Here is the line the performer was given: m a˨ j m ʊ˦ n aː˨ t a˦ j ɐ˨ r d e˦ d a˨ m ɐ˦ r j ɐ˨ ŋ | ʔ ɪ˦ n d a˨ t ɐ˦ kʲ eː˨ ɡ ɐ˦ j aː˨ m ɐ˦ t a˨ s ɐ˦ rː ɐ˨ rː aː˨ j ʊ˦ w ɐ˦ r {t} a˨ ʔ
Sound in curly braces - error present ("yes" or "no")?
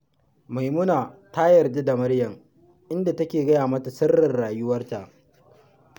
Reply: no